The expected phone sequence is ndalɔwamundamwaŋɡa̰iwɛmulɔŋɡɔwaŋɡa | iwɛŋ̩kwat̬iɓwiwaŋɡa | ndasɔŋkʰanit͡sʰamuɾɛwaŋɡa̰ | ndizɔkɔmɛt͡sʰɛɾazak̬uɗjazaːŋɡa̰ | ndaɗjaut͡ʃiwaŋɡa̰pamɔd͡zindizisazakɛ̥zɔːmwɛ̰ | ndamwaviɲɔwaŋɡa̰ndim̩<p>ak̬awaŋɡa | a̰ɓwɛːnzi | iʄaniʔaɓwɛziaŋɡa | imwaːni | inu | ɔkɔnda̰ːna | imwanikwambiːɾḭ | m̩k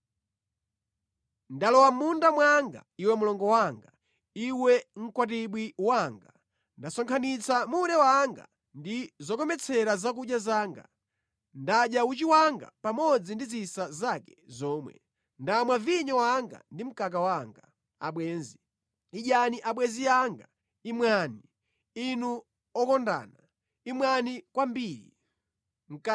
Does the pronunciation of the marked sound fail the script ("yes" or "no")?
yes